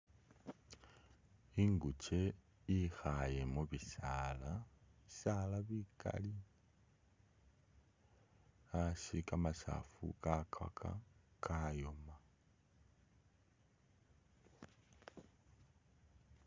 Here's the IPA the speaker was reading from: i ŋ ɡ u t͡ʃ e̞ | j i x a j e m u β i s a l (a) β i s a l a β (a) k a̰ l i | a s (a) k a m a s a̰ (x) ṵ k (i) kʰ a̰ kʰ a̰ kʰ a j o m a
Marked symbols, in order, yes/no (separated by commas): yes, no, no, no, no